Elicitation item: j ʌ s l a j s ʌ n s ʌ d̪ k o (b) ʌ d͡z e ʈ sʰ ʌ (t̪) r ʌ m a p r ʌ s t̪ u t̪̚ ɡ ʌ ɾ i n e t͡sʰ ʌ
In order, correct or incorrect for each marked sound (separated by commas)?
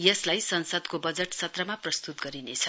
correct, correct